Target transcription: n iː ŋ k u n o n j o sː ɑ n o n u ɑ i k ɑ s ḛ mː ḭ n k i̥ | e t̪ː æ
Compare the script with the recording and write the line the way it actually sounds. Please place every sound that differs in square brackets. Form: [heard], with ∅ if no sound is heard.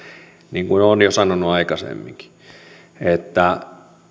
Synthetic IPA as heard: n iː ŋ k u n o n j o [s] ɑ n o n u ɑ i k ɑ s ḛ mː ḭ [ŋ] k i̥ | e t̪ː æ